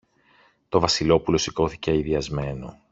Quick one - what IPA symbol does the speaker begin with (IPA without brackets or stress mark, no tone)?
t̪